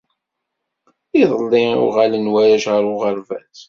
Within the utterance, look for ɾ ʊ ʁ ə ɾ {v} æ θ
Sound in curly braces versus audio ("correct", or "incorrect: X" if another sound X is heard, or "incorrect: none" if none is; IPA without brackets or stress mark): correct